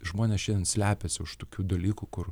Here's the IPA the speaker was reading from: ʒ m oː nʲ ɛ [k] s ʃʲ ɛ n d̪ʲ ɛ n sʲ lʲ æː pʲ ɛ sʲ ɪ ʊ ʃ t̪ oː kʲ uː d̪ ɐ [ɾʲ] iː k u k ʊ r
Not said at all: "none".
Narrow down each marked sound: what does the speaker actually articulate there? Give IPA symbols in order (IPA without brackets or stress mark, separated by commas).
none, lʲ